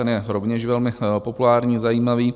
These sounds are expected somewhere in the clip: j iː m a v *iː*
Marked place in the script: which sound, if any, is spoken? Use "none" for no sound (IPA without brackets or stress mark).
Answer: iː